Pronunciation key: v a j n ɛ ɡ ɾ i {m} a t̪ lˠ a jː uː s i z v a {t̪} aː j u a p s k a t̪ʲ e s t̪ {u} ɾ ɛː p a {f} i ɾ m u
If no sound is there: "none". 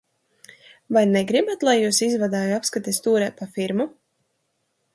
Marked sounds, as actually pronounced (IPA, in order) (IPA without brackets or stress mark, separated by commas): b, d̪, uː, f